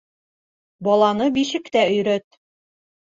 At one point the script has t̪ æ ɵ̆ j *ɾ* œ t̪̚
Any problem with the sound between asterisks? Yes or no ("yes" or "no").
no